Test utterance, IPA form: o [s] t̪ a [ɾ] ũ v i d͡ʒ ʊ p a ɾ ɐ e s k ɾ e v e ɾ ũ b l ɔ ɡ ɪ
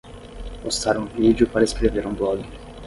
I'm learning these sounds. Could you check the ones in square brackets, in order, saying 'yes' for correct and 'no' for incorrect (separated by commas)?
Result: yes, yes